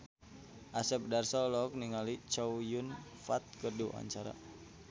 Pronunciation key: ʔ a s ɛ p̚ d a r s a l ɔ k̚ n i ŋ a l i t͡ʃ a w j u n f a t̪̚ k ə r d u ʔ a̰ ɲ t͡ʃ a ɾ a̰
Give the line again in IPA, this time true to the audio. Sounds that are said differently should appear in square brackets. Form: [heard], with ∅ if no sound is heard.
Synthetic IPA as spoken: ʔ a s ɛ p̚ d a r s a l ɔ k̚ n i ŋ a l i t͡ʃ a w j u n f a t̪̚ k ə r d u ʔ a̰ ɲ t͡ʃ a ɾ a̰